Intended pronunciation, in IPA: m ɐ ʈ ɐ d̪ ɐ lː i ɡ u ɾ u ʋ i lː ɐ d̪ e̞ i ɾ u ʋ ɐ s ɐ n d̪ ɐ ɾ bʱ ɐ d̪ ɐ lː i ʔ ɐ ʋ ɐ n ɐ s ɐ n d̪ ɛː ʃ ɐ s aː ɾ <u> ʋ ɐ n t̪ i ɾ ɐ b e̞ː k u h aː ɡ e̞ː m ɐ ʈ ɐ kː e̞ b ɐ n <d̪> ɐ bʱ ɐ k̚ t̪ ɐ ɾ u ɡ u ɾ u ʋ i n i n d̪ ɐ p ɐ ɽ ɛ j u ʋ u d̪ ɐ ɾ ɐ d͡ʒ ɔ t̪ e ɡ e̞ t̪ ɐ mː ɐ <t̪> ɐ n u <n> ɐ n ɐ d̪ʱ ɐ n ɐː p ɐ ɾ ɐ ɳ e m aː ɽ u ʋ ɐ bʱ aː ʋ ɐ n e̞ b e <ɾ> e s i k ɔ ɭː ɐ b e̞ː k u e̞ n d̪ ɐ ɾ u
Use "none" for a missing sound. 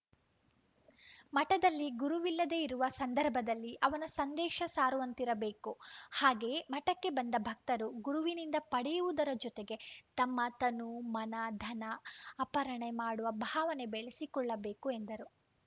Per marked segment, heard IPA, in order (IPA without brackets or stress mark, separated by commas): u, d̪, t̪, m, ɭ